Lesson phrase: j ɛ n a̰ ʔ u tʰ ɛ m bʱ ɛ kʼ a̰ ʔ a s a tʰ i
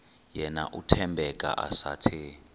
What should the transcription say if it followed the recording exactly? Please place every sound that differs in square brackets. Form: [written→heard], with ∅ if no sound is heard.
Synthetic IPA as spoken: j ɛ n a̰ ʔ u tʰ ɛ m bʱ ɛ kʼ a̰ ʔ a s a tʰ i